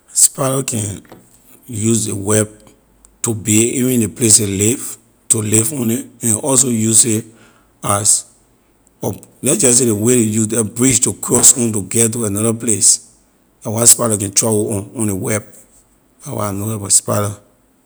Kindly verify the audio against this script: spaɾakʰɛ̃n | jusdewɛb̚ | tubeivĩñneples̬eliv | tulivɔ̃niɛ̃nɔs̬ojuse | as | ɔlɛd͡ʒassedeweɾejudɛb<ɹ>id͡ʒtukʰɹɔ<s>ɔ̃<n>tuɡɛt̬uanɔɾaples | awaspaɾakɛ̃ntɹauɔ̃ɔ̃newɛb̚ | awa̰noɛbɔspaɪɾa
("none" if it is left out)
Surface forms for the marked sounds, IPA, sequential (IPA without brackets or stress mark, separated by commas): ɹ, s, n